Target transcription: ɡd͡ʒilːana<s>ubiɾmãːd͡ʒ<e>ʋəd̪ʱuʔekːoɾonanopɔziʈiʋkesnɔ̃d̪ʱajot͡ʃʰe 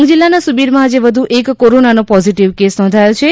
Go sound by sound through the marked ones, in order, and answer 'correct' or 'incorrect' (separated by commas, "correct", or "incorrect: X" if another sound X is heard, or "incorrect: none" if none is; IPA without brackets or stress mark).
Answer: correct, correct